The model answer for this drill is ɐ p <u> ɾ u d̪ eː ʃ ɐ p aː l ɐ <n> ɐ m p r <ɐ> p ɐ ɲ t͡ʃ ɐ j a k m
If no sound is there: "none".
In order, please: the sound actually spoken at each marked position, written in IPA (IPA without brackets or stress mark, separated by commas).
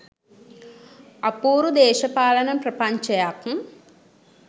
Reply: uː, n, ɐ